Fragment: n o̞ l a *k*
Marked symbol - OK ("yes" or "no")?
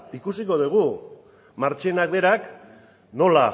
no